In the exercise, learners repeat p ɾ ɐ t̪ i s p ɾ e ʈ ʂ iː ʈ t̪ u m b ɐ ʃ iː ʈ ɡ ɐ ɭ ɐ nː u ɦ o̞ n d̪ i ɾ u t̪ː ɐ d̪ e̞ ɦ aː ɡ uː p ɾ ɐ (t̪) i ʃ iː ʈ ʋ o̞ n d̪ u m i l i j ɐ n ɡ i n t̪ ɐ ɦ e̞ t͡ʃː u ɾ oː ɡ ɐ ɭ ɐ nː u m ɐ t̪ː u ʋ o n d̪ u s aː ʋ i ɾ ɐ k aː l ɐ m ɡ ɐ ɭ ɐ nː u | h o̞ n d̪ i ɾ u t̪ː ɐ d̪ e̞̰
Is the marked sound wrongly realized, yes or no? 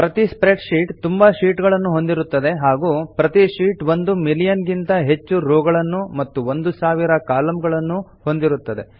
no